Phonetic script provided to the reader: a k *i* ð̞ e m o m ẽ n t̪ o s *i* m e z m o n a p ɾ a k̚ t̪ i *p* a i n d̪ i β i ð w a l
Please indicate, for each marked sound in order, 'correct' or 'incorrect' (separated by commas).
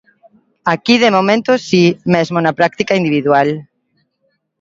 correct, correct, incorrect